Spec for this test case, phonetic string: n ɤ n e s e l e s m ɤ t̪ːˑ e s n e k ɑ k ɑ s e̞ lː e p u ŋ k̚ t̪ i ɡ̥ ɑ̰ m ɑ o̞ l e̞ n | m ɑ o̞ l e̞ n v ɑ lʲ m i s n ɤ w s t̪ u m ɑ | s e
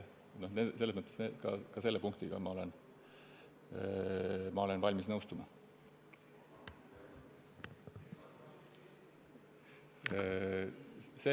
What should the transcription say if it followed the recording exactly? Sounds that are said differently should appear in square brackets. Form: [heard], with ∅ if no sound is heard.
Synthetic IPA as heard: n [o] n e s e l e s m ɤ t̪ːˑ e s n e k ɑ k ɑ s e̞ lː e p u ŋ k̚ t̪ i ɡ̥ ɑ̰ m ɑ o̞ l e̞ n | m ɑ o̞ l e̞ n v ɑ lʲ m i s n ɤ w s t̪ u m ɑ | s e